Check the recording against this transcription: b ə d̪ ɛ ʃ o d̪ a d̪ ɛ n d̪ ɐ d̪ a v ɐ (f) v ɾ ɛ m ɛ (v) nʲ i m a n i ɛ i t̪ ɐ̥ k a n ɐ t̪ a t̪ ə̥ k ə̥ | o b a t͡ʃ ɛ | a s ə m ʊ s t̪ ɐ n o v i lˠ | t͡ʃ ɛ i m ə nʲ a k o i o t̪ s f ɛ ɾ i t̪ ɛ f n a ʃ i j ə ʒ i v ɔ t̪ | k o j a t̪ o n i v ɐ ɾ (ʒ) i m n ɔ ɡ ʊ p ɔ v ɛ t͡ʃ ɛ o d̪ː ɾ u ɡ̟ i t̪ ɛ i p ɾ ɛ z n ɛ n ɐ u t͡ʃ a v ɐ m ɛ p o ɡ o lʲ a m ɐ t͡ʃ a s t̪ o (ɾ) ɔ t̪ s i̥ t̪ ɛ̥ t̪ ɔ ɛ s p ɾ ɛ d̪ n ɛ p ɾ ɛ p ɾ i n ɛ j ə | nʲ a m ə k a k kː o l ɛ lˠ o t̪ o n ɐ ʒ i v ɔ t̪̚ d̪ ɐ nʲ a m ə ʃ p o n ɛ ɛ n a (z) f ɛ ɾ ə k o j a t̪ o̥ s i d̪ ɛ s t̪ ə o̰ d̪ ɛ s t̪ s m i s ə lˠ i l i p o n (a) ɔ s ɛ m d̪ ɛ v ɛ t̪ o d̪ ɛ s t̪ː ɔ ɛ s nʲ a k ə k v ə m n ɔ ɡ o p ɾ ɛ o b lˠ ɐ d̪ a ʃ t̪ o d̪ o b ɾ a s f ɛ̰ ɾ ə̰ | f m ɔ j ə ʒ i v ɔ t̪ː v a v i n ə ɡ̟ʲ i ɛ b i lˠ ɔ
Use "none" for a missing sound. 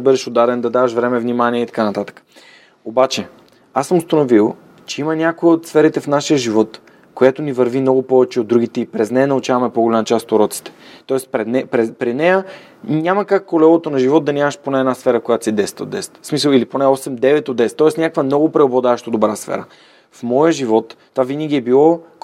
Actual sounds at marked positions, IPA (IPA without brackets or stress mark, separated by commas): ʃ, v, v, ɾ, s, ɛ